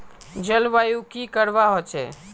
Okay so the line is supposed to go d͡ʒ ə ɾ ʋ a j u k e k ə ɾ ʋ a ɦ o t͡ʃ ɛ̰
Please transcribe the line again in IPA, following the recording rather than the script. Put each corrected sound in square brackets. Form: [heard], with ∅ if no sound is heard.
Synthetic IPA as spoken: d͡ʒ ə [l] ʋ a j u k [i] k ə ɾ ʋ a ɦ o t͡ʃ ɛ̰